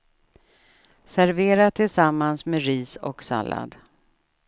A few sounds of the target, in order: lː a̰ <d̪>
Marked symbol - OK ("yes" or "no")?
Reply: yes